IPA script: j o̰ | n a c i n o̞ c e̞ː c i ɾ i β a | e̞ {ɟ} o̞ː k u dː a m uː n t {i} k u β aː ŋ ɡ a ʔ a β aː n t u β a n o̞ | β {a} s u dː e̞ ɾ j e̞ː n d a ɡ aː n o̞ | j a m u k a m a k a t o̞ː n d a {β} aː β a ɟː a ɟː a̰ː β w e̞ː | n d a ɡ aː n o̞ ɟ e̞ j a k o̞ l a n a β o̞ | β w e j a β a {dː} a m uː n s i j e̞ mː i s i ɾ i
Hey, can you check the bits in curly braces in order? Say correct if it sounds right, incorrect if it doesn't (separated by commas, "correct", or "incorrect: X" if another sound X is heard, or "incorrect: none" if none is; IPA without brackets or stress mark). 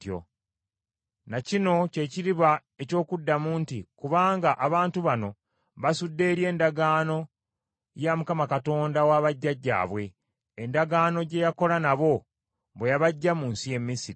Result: incorrect: c, correct, correct, incorrect: w, incorrect: ɟː